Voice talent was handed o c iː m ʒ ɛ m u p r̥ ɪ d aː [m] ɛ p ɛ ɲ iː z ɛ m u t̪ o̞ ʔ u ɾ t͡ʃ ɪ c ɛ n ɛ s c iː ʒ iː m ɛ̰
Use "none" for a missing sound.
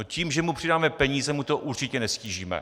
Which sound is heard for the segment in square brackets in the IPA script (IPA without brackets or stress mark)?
m